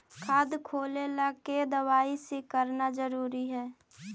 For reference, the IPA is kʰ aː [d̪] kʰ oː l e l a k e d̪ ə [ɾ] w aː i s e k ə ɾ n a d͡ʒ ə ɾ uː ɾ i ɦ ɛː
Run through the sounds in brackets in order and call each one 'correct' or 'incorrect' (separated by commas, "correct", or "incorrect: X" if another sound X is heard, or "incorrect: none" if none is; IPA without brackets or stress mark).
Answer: correct, incorrect: none